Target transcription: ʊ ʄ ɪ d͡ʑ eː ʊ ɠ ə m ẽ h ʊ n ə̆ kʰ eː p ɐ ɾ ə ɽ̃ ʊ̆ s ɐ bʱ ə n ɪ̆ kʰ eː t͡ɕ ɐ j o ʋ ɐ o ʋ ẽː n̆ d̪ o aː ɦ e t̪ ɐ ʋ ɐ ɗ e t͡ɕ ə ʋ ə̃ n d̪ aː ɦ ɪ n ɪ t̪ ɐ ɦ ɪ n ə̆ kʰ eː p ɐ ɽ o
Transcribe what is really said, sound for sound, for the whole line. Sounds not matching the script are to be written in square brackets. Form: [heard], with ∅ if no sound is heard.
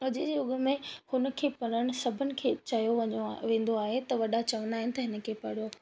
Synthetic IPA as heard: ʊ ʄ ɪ d͡ʑ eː ʊ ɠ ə m ẽ h ʊ n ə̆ kʰ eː p ɐ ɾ ə ɽ̃ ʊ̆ s ɐ bʱ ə n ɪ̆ kʰ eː t͡ɕ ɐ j o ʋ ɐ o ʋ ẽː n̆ d̪ o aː ɦ e t̪ ɐ ʋ ɐ ɗ [a] t͡ɕ [ɐ] ʋ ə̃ n d̪ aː ɦ ɪ n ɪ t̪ ɐ ɦ ɪ n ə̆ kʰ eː p ɐ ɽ o